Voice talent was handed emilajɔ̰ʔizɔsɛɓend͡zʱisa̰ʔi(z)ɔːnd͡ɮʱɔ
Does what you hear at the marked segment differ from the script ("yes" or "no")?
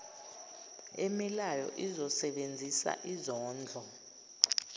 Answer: no